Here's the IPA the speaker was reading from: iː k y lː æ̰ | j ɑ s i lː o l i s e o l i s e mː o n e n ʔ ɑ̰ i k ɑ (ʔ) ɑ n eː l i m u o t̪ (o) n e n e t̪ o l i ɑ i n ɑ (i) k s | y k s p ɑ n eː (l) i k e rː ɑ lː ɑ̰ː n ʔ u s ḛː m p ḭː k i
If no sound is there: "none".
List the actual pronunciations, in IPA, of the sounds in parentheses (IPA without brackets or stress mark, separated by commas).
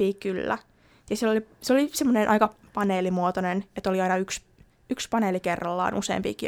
p, o, y, l